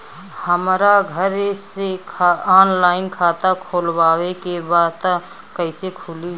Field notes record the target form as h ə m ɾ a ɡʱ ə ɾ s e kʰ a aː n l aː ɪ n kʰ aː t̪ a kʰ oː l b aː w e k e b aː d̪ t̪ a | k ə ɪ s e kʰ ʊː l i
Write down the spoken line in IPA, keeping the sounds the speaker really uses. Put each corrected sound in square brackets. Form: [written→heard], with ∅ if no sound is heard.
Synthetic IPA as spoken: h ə m ɾ a ɡʱ ə ɾ s e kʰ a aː n l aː ɪ n kʰ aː t̪ a kʰ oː l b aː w e k e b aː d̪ t̪ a | k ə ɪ s e kʰ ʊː l i